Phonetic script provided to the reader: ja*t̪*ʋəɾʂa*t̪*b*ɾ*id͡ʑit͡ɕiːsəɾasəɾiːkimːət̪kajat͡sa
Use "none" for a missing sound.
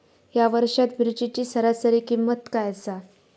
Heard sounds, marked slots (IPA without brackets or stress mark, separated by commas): none, t̪, ɾ